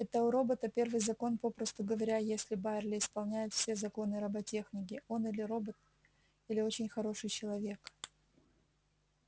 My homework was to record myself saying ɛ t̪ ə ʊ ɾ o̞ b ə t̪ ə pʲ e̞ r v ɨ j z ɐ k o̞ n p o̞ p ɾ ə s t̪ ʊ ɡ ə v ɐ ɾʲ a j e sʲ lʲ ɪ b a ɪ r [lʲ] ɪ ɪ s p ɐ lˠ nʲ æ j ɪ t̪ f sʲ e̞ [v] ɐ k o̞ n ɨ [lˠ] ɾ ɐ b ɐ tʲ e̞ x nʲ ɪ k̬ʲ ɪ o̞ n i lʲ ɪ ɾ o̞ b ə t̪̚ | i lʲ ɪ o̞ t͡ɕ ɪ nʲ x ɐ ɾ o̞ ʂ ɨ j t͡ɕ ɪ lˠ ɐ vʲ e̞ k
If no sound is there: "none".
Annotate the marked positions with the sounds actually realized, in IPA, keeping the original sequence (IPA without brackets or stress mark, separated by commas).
lʲ, z, none